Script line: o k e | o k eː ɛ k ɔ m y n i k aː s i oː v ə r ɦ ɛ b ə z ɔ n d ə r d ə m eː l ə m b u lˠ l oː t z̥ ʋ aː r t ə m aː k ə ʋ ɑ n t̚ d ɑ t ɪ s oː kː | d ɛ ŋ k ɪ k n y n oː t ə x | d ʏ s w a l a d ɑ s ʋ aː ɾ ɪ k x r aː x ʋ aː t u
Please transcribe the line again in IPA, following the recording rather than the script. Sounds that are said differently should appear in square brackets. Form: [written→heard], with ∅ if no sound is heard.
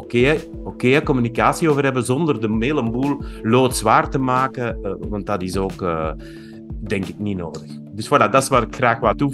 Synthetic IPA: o k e | o k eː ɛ k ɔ m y n i k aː s i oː v ə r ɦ ɛ b ə z ɔ n d ə r d ə m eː l ə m b u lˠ l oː t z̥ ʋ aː r t ə m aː k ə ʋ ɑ n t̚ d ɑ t ɪ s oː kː | d ɛ ŋ k ɪ k n [y→i] n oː [t→d] ə x | d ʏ s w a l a d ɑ s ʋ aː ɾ ɪ k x r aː x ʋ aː t u